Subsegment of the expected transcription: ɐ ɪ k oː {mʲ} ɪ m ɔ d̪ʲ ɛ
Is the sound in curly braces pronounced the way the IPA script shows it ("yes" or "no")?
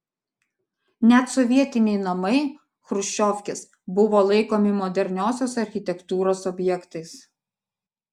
yes